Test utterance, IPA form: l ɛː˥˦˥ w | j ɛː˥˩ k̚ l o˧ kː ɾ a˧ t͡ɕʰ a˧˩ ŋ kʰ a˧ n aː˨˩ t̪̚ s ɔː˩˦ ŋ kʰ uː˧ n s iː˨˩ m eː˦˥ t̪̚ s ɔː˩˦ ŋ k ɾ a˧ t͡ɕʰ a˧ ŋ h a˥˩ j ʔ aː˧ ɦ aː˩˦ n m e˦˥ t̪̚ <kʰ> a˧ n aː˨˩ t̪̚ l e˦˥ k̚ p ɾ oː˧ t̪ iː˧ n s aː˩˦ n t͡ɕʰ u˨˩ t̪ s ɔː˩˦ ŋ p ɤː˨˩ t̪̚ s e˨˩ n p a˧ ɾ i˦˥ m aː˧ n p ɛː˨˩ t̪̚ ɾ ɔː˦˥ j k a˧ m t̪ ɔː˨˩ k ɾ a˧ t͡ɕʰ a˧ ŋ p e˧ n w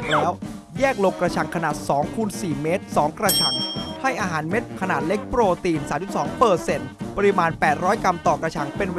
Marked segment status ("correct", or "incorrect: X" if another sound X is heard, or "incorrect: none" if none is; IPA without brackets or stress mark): correct